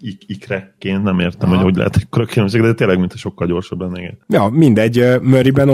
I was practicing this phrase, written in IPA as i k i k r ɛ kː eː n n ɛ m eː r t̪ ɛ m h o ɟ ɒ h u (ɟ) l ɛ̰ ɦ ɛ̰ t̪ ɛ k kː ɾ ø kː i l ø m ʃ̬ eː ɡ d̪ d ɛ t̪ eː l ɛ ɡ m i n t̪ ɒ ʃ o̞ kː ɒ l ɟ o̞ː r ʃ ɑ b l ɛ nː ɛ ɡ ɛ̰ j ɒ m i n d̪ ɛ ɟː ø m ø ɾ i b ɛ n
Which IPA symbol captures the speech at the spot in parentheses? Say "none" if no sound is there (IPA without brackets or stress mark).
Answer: ɟ